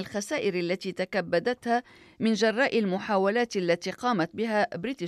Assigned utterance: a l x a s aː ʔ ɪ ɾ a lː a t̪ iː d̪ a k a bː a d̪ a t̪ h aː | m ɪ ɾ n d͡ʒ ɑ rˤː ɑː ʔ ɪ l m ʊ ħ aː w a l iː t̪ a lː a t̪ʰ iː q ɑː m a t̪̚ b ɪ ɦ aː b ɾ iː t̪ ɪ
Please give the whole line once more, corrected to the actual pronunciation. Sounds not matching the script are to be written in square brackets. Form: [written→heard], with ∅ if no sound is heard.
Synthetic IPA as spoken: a l x a s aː ʔ ɪ ɾ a lː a t̪ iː [d̪→t̪] a k a bː a d̪ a t̪ h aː | m ɪ [ɾ→∅] n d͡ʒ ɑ rˤː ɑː ʔ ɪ l m ʊ ħ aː w a l [iː→aː] t̪ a lː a [t̪ʰ→t̪] iː q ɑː m a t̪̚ b ɪ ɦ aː b ɾ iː t̪ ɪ